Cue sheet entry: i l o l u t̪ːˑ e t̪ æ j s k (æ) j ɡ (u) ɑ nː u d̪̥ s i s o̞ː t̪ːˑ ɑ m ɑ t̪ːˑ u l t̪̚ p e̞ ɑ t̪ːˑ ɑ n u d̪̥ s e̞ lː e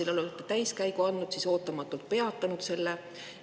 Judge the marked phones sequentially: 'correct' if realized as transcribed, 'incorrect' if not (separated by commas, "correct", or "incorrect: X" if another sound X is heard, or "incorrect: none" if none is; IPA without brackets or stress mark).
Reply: correct, correct